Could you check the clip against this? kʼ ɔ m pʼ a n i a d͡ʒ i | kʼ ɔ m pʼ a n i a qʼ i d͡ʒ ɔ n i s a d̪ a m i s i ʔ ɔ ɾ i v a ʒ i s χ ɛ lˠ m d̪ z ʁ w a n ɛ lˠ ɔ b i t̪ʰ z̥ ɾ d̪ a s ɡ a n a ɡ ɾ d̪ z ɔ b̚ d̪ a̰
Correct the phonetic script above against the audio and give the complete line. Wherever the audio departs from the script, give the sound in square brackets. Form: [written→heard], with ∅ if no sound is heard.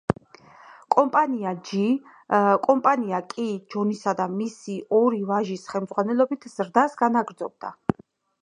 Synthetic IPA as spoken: kʼ ɔ m pʼ a n i a d͡ʒ i | kʼ ɔ m pʼ a n i a [qʼ→kʼ] i d͡ʒ ɔ n i s a d̪ a m i s i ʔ ɔ ɾ i v a ʒ i s χ ɛ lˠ m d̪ z ʁ w a n ɛ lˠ ɔ b i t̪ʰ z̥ ɾ d̪ a s ɡ a n a ɡ ɾ d̪ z ɔ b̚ d̪ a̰